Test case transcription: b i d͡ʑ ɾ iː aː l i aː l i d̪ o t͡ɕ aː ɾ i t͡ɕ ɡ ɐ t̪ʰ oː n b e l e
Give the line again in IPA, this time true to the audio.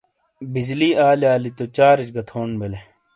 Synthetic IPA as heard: b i d͡ʑ l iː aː l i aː l i t̪ o t͡ɕ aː ɾ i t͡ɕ ɡ ɐ t̪ʰ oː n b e l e